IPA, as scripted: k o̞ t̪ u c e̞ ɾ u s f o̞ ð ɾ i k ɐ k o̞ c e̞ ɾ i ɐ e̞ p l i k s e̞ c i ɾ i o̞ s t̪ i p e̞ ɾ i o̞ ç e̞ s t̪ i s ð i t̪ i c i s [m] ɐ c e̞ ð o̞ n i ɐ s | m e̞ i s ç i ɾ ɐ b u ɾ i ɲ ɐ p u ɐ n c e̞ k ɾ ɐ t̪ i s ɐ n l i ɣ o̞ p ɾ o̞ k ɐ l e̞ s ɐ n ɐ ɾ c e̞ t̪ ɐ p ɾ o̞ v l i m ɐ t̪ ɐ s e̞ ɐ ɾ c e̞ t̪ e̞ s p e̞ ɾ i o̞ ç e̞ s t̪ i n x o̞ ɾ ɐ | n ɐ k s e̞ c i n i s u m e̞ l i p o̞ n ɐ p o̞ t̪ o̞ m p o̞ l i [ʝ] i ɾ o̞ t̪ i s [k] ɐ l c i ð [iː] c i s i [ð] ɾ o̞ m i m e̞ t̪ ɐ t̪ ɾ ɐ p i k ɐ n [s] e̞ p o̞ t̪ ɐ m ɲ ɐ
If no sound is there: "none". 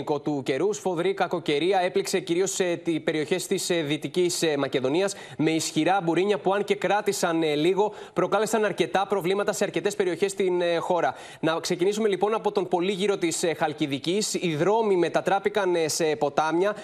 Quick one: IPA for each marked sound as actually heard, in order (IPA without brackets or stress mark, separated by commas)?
m, ʝ, x, i, ð, s